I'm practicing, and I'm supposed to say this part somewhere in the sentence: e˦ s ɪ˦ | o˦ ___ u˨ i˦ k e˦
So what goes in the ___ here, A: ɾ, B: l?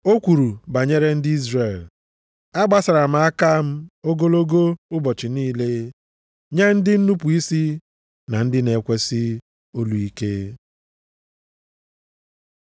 B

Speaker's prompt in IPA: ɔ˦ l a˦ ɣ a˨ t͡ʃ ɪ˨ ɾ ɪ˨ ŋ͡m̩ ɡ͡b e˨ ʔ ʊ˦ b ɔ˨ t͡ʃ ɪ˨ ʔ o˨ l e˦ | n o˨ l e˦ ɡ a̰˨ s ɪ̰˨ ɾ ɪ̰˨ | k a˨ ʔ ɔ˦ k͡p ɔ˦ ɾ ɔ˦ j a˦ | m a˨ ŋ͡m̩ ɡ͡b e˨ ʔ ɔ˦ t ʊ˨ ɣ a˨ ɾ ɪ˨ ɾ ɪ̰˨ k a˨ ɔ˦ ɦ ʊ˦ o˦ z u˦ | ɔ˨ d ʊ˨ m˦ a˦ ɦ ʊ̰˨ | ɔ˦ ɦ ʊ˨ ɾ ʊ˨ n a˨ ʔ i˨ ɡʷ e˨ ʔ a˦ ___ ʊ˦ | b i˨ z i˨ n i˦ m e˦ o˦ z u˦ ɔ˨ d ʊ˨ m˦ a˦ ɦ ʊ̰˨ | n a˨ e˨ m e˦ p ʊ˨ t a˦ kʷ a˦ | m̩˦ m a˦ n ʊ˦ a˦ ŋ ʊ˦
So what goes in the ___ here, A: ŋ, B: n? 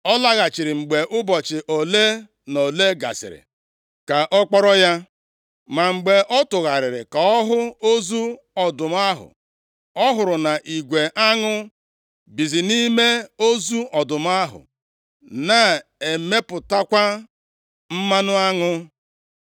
A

